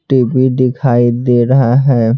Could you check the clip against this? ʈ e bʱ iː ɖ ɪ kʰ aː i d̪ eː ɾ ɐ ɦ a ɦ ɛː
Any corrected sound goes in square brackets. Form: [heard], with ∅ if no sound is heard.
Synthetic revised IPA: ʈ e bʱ [i] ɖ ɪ kʰ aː i d̪ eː ɾ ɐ ɦ a ɦ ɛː